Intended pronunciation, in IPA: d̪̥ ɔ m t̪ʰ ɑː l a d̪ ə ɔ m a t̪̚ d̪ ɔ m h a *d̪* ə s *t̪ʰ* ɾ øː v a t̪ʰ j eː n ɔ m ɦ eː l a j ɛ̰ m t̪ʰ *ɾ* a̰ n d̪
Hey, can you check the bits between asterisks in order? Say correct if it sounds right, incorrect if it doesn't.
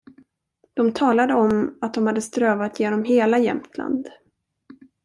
incorrect: d̪ː, incorrect: t̪, incorrect: l

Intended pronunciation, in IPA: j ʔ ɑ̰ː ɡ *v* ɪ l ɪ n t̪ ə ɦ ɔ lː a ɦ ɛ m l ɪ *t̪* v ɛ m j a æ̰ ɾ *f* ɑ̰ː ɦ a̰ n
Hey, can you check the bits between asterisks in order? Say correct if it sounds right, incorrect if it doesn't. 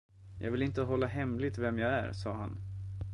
correct, correct, incorrect: s

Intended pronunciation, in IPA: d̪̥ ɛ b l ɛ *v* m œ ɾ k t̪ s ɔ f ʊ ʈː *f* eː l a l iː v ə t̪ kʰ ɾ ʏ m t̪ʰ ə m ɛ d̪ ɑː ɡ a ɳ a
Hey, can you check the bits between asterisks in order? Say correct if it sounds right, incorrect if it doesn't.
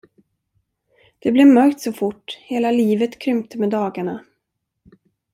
correct, incorrect: h

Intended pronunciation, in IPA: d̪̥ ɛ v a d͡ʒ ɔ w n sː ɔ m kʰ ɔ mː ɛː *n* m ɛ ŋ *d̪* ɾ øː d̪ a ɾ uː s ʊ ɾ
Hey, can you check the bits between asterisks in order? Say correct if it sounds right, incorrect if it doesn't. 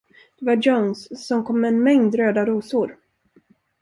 correct, correct

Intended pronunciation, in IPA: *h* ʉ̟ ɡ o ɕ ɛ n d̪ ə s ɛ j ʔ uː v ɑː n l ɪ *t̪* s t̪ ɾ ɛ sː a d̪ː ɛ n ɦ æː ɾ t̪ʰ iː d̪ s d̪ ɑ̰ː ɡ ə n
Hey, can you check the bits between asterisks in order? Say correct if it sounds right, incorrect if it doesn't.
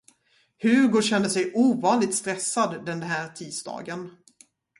correct, correct

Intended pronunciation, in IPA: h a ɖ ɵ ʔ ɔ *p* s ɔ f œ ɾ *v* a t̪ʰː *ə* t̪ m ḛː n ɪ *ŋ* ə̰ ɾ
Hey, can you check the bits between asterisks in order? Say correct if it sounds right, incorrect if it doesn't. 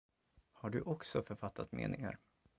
incorrect: k, incorrect: f, incorrect: a, correct

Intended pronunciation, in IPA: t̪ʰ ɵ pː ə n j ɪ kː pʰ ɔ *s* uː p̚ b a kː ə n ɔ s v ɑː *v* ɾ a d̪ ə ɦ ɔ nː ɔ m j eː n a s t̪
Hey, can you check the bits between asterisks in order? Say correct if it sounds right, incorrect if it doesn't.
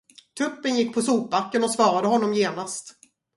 correct, incorrect: none

